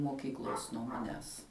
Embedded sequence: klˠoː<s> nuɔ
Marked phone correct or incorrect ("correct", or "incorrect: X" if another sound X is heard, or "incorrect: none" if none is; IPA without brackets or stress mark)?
correct